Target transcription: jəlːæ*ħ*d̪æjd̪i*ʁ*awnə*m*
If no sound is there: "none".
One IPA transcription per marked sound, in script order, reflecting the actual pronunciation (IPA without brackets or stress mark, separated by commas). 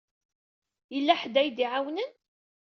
ħ, ʕ, n